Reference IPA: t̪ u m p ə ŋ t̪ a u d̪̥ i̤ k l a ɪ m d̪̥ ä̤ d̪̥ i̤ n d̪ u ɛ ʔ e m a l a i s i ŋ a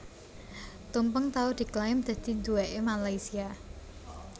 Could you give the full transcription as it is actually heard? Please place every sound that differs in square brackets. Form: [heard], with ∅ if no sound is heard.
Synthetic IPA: t̪ u m p ə ŋ t̪ a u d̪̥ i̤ k l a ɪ m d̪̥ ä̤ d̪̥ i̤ n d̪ u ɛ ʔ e m a l a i s i [∅] a